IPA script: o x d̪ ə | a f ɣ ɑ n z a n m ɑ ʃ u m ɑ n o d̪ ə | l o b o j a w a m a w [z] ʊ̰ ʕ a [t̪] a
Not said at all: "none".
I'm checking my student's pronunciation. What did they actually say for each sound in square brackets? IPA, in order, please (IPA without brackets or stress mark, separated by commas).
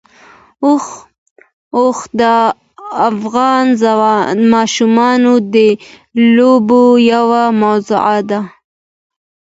z, d̪